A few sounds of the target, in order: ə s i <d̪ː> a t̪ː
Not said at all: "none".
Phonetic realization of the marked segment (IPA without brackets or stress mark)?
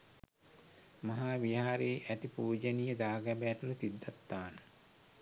d̪ː